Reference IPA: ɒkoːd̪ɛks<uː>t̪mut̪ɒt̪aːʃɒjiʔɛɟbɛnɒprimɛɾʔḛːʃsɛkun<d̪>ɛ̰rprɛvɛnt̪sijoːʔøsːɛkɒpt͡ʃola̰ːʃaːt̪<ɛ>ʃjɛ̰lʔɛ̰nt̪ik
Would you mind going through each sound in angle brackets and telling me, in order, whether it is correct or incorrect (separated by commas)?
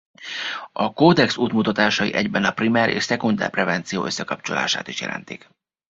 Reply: correct, correct, incorrect